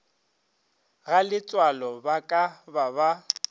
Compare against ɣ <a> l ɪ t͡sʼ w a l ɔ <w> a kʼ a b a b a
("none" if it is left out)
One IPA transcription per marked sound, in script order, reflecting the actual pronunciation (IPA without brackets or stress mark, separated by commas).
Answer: a, b